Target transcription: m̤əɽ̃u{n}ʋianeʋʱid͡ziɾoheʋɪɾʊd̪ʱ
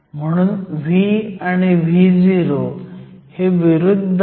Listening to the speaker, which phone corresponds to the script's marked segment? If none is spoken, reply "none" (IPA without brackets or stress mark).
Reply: n